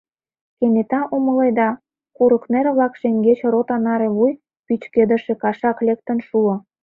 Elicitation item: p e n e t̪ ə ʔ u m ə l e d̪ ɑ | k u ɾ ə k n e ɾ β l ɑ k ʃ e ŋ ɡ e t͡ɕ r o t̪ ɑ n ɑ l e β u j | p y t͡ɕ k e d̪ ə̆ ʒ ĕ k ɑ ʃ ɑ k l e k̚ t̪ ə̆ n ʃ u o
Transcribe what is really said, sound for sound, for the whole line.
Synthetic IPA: k e n e t̪ ɑ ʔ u m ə l e d̪ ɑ | k u ɾ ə k n e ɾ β l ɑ k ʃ e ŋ ɡ e t͡ɕ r o t̪ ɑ n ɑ ɾ e β u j | p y t͡ɕ k e d̪ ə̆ ʃ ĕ k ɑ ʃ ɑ k l e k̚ t̪ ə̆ n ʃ u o